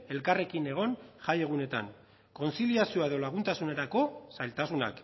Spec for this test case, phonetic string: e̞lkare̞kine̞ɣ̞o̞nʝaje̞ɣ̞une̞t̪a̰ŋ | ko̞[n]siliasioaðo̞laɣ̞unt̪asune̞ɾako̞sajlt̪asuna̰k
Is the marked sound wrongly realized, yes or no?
no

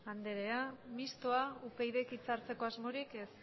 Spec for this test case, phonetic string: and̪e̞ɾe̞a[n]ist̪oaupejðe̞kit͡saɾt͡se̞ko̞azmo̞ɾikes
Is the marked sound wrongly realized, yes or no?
yes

